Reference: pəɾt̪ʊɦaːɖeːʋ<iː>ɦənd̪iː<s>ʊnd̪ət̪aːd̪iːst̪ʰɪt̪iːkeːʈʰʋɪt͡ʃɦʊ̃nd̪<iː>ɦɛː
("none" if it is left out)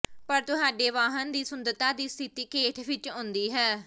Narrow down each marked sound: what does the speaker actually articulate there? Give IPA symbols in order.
aː, s, iː

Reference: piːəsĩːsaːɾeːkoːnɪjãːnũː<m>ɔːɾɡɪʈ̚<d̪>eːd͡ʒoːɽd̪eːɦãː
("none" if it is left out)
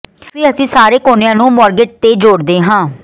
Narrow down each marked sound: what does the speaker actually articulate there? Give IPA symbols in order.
m, t̪

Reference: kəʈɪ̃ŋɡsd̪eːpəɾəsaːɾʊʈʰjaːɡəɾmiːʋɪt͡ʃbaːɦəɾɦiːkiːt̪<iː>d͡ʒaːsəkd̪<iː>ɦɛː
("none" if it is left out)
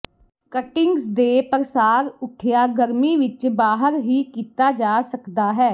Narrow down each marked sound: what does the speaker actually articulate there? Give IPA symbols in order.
aː, aː

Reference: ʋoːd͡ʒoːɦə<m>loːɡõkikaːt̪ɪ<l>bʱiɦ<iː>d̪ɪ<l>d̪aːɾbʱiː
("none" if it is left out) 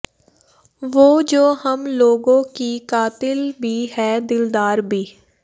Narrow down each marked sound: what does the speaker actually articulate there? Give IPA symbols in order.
m, l, ɛː, l

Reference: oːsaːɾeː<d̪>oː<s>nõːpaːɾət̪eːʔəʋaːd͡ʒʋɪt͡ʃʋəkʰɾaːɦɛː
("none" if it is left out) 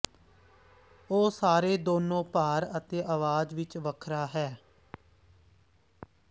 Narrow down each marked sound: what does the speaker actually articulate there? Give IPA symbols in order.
d̪, none

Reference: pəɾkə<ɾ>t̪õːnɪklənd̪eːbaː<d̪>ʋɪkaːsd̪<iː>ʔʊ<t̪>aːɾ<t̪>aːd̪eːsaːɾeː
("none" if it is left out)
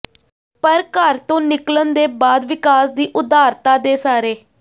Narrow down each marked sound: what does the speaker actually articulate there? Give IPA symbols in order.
ɾ, d̪, iː, d̪, t̪

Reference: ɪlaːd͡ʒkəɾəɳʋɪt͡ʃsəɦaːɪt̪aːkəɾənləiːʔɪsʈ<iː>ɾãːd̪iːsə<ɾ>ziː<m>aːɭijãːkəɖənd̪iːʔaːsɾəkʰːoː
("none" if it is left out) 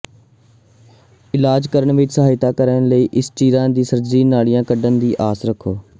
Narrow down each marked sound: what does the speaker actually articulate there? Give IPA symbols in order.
iː, ɾ, n

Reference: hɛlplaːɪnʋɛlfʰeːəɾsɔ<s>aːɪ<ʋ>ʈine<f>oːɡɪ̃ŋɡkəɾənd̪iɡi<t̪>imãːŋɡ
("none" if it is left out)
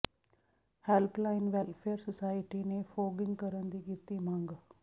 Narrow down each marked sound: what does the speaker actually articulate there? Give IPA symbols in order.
s, none, f, t̪

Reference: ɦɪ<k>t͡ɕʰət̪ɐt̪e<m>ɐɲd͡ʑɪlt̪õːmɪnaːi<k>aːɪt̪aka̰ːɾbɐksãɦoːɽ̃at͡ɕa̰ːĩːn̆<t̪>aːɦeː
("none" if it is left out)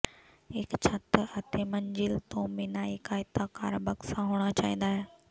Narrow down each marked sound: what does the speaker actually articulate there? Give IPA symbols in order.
k, m, k, d̪

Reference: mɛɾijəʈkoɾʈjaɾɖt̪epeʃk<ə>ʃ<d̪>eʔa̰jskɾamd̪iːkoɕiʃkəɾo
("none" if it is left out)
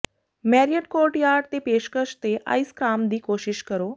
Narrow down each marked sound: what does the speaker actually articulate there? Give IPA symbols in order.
ə, t̪

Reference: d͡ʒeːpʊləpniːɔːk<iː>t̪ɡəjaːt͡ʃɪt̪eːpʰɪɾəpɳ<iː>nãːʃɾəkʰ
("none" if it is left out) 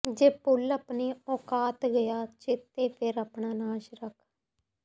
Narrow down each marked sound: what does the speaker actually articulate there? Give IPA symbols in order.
aː, aː

